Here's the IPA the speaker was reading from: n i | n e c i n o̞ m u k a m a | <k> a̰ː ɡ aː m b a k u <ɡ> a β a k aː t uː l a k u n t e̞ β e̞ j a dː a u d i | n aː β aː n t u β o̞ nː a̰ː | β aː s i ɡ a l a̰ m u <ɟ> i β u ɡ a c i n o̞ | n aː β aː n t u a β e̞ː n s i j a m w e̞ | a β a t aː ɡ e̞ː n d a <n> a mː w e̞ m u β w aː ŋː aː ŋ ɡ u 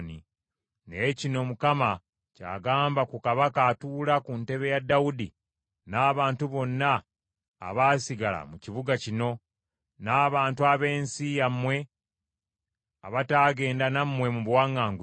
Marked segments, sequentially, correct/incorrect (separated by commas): incorrect, incorrect, incorrect, correct